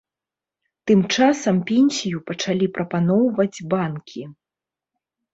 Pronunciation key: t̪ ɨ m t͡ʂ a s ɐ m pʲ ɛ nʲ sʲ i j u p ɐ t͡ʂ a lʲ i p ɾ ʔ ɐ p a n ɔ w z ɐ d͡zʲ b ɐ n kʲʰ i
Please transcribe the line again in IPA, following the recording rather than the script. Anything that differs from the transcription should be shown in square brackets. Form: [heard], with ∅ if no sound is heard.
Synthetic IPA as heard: t̪ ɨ m t͡ʂ a s ɐ m pʲ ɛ nʲ sʲ i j u p ɐ t͡ʂ a lʲ i p ɾ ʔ ɐ p a n ɔ w [v] ɐ d͡zʲ b [a] n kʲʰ i

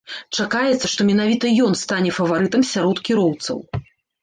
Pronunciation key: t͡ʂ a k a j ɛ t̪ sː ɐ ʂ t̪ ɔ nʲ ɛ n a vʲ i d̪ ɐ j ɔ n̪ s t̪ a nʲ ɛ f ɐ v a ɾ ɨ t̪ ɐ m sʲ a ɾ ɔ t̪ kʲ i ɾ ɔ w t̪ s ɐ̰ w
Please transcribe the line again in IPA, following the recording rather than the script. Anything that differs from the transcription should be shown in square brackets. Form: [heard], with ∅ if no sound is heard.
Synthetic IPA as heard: t͡ʂ a k a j ɛ t̪ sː ɐ ʂ t̪ ɔ [mʲ] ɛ n a vʲ i [t̪] ɐ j ɔ n̪ s t̪ a nʲ ɛ f ɐ v a ɾ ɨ t̪ ɐ m sʲ a ɾ ɔ t̪ kʲ i ɾ ɔ w t̪ s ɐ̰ w

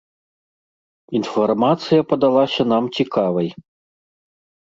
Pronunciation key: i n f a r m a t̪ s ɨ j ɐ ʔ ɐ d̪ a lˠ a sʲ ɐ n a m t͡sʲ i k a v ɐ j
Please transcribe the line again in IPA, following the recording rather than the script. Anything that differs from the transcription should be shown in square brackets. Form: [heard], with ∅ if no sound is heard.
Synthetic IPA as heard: i n f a r m a t̪ s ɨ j ɐ [p] ɐ d̪ a lˠ a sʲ ɐ n a m t͡sʲ i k a v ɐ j

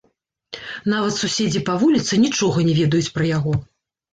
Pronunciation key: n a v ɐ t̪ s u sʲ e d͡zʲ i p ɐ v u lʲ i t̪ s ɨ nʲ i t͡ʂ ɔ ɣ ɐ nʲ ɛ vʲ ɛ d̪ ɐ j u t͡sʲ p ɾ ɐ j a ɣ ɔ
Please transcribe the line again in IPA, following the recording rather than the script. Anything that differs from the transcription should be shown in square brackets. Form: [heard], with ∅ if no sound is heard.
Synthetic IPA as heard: n a v ɐ t̪ s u sʲ e d͡zʲ i p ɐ v u lʲ i t̪ s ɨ nʲ i t͡ʂ ɔ ɣ ɐ nʲ ɛ vʲ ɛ d̪ ɐ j u t͡sʲ p ɾ ɐ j a ɣ ɔ

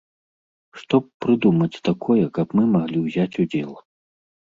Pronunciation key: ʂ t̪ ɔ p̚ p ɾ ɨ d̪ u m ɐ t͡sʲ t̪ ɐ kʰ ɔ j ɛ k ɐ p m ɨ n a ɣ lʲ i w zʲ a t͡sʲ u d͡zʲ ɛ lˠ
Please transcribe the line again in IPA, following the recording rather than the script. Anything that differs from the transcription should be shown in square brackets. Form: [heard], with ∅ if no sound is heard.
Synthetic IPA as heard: ʂ t̪ ɔ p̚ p ɾ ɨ d̪ u m ɐ t͡sʲ t̪ [a] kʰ ɔ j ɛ k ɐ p m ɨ [m] a ɣ lʲ i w zʲ a t͡sʲ u d͡zʲ ɛ lˠ

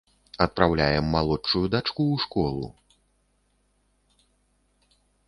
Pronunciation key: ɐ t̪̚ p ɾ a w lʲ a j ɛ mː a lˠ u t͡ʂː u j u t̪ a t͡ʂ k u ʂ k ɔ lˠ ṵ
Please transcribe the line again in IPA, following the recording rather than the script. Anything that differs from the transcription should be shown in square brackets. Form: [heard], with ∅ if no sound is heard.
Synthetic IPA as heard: ɐ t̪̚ p ɾ a w lʲ a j ɛ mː a lˠ [ɔ] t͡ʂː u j u [d̪] a t͡ʂ k u ʂ k ɔ lˠ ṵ

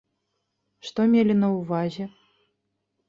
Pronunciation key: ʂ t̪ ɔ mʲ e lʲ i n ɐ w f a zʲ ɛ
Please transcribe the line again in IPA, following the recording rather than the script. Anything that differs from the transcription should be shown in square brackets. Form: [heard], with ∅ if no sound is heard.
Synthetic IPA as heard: ʂ t̪ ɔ mʲ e lʲ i n ɐ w [v] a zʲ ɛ

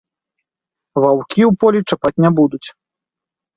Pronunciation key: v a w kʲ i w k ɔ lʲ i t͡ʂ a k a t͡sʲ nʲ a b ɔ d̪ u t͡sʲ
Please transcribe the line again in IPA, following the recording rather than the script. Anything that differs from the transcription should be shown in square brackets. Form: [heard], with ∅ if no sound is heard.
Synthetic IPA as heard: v a w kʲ i w [p] ɔ lʲ i t͡ʂ a [p] a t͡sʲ nʲ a b [u] d̪ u t͡sʲ

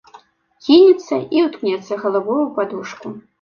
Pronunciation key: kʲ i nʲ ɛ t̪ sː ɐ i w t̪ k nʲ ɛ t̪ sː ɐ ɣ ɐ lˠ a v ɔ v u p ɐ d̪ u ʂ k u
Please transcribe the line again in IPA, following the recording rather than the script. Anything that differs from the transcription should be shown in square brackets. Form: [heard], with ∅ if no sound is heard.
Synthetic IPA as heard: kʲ i nʲ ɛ t̪ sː ɐ i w t̪ k nʲ ɛ t̪ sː ɐ ɣ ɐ lˠ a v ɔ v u p [a] d̪ u ʂ k u

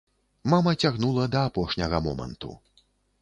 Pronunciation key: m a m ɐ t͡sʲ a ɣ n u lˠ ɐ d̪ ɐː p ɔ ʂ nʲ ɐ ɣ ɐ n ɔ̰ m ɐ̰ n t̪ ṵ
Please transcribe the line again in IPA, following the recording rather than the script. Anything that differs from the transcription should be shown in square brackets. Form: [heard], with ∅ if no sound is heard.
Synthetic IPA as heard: m a m ɐ t͡sʲ a ɣ n u lˠ ɐ d̪ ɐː p ɔ ʂ nʲ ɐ ɣ ɐ [m] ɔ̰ m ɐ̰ n t̪ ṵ

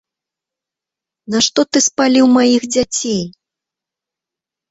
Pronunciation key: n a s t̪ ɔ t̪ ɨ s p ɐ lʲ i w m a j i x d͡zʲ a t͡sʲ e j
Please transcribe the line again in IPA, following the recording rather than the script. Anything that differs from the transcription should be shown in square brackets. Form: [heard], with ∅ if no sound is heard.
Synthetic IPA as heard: n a [ʂ] t̪ ɔ t̪ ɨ s p [a] lʲ i w m a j i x d͡zʲ a t͡sʲ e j

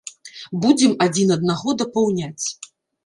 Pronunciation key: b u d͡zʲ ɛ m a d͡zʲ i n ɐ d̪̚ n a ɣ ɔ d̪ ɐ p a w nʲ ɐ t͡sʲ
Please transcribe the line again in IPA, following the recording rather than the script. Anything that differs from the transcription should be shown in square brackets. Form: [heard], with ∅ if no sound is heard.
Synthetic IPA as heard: b u d͡zʲ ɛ m a d͡zʲ i n ɐ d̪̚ n a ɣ ɔ d̪ ɐ p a w nʲ [a] t͡sʲ

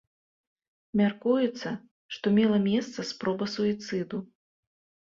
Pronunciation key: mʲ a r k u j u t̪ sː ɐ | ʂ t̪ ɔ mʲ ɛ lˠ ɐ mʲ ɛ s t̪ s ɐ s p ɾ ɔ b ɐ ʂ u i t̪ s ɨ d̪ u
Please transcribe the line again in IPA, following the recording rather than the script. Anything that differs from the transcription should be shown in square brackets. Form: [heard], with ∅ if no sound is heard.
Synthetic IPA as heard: mʲ a r k u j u t̪ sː ɐ | ʂ t̪ ɔ mʲ ɛ lˠ ɐ mʲ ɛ s t̪ s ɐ s p ɾ ɔ b ɐ [s] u i t̪ s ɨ d̪ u

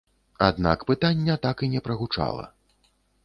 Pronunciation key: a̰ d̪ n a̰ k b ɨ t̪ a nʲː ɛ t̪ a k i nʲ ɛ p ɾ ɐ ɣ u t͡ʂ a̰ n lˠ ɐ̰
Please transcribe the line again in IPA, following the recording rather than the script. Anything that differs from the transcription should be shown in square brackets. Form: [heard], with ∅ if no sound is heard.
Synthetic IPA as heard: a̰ d̪ n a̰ k [p] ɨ t̪ a nʲː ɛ t̪ a k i nʲ ɛ p ɾ ɐ ɣ u t͡ʂ a̰ [∅] lˠ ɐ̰

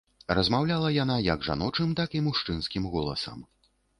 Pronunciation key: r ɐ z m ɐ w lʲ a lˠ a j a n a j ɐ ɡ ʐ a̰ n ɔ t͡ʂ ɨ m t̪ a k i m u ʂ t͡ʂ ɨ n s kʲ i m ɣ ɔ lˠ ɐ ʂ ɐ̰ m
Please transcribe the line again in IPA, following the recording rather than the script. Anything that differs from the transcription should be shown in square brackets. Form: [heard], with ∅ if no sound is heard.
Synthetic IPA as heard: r ɐ z m [a] w lʲ a lˠ [ɐ] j a n a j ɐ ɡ ʐ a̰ n ɔ t͡ʂ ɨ m t̪ a k i m u ʂ t͡ʂ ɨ n s kʲ i m ɣ ɔ lˠ ɐ [s] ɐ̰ m

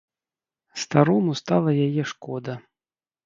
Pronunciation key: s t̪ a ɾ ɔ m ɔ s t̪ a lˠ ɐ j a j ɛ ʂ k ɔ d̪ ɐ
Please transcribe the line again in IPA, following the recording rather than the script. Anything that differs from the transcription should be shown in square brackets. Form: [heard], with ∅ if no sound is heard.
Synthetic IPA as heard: s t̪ a ɾ ɔ m [u] s t̪ a lˠ ɐ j a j ɛ ʂ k ɔ d̪ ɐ

